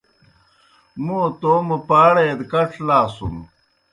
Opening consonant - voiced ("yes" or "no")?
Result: yes